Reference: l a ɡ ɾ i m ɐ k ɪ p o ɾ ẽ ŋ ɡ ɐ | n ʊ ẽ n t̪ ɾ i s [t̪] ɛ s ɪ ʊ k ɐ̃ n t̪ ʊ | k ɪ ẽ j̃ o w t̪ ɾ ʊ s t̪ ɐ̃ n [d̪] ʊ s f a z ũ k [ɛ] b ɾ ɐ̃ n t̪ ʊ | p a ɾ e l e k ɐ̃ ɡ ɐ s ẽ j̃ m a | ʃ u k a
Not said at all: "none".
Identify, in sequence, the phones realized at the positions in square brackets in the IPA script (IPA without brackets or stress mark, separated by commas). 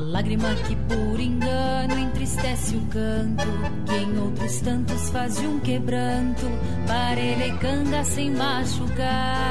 t̪, t̪, e